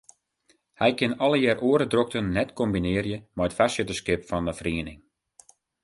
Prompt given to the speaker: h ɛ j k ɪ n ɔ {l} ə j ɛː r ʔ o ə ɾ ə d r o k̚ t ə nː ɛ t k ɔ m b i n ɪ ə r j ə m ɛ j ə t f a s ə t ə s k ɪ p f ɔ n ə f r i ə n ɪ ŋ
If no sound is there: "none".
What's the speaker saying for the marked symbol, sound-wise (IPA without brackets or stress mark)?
l